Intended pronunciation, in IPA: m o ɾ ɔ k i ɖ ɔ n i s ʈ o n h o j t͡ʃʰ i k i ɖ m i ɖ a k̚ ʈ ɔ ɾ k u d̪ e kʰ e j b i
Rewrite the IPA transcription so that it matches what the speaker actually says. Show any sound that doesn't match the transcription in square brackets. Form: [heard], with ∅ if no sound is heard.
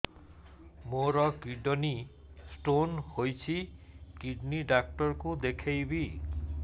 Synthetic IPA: m o ɾ ɔ k i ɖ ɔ n i s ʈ o n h o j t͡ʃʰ i k i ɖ [n] i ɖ a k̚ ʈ ɔ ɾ k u d̪ e kʰ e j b i